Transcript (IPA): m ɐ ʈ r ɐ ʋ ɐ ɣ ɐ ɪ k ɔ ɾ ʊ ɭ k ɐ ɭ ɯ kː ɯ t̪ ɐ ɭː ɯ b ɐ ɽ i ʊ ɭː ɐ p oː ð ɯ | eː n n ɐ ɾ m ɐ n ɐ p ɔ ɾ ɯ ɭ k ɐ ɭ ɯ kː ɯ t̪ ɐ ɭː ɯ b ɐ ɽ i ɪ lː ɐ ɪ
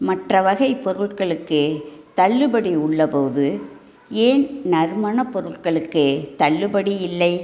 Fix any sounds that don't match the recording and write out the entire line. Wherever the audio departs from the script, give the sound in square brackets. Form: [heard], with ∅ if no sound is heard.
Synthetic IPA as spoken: m ɐ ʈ r ɐ ʋ ɐ ɣ ɐ ɪ [p] ɔ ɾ [ɯ] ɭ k ɐ ɭ ɯ kː ɯ t̪ ɐ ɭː ɯ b ɐ ɽ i ʊ ɭː ɐ p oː ð ɯ | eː n n ɐ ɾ m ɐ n ɐ p ɔ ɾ ɯ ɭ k ɐ ɭ ɯ kː ɯ t̪ ɐ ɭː ɯ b ɐ ɽ i ɪ lː ɐ ɪ